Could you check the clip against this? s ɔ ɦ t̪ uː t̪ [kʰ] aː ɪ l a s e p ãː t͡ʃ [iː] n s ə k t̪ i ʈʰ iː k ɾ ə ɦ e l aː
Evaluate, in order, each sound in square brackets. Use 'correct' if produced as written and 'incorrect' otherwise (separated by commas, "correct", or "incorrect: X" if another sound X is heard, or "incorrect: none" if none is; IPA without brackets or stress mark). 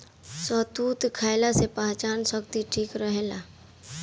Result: correct, incorrect: aː